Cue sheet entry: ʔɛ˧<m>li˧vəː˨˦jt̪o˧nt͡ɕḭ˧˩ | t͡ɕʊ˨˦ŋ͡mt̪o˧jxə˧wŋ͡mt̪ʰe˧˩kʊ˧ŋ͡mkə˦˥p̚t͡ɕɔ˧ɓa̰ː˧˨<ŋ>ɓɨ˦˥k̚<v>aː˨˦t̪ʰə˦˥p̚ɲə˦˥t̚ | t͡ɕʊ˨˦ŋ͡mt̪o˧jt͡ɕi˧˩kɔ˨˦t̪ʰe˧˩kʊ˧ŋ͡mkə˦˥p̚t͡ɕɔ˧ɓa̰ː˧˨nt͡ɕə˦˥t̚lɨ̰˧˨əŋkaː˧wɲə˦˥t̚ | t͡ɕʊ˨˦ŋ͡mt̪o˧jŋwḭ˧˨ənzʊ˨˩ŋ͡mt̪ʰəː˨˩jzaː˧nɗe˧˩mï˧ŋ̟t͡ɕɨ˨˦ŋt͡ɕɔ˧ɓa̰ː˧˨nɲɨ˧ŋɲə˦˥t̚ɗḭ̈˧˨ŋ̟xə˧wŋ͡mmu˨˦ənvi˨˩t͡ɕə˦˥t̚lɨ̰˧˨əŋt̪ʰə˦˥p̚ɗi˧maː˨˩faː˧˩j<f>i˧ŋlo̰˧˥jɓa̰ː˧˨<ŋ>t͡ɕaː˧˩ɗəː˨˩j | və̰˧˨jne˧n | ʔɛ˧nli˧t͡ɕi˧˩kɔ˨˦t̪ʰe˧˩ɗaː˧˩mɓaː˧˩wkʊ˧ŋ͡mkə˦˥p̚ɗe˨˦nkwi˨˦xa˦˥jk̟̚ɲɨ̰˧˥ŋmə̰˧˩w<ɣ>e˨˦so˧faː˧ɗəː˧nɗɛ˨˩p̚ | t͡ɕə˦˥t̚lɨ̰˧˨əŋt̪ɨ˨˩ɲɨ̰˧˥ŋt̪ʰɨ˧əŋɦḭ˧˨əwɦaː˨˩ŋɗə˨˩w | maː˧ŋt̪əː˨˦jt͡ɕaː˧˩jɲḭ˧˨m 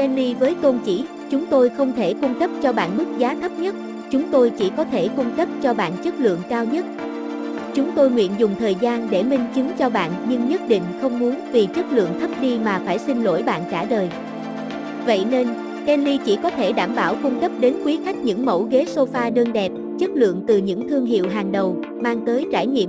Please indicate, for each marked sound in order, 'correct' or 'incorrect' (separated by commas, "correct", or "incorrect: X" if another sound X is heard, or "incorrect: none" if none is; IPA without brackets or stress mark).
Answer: incorrect: n, incorrect: n, incorrect: z, incorrect: s, incorrect: n, correct